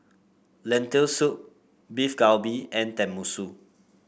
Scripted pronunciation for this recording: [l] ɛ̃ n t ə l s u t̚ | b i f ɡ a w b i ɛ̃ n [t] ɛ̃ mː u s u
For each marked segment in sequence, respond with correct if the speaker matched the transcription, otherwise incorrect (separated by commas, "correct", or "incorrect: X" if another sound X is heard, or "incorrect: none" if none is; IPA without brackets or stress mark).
correct, correct